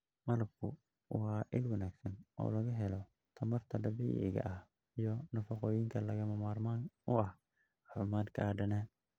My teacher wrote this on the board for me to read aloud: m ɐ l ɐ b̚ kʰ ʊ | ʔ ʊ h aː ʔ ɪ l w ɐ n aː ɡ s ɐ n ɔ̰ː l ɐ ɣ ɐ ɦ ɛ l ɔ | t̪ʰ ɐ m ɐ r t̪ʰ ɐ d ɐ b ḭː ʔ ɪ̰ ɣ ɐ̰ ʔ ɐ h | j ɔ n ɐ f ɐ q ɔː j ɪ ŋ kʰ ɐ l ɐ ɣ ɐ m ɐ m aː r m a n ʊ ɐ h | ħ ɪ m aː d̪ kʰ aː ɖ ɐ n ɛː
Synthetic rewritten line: m ɐ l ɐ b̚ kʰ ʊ | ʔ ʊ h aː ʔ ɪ l w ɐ n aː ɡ s ɐ n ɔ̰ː l ɐ ɣ ɐ ɦ ɛ l ɔ | t̪ʰ ɐ m ɐ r t̪ʰ ɐ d ɐ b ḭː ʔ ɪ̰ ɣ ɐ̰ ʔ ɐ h | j ɔ n ɐ f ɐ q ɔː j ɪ ŋ kʰ ɐ l ɐ ɣ ɐ m ɐ m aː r m a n ʊ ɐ h | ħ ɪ m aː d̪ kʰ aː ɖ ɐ n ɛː